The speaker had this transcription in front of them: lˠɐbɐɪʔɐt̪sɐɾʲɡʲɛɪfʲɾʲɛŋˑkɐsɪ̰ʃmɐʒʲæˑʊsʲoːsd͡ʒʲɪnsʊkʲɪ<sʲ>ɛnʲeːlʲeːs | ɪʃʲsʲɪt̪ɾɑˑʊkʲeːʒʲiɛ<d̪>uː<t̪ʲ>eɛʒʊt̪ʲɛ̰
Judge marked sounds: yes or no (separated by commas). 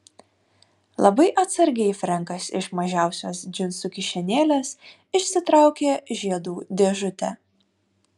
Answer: no, yes, no